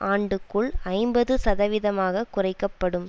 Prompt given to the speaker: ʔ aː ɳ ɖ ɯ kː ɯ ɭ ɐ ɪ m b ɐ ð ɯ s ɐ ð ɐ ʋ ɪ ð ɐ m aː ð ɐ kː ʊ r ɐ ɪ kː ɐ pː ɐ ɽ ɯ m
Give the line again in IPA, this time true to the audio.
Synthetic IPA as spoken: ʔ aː ɳ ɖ ɯ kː ɯ ɭ ɐ ɪ m b ɐ ð ɯ s ɐ ð ɐ ʋ ɪ ð ɐ m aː ɣ ɐ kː ʊ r ɐ ɪ kː ɐ pː ɐ ɽ ɯ m